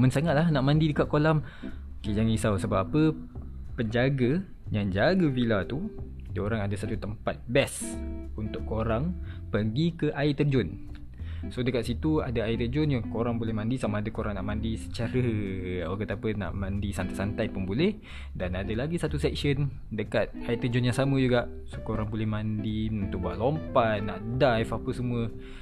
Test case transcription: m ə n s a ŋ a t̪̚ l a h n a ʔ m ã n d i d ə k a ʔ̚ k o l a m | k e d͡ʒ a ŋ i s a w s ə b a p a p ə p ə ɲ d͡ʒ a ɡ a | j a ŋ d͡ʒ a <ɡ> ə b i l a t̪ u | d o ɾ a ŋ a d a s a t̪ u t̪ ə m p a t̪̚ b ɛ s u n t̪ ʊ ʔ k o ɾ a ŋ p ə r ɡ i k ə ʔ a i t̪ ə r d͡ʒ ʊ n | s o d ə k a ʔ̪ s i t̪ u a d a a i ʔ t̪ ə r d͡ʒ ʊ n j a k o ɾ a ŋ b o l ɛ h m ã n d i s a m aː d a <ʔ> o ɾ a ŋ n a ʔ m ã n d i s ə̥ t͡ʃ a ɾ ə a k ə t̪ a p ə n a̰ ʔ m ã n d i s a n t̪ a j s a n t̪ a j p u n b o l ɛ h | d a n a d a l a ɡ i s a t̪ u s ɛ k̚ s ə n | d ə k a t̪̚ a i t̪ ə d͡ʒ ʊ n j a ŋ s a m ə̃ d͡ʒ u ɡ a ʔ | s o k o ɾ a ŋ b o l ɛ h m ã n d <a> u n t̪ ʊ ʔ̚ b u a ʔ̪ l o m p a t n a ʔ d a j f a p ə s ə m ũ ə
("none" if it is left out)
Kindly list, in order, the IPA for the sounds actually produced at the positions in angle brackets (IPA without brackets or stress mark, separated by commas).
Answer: ɡ, k, i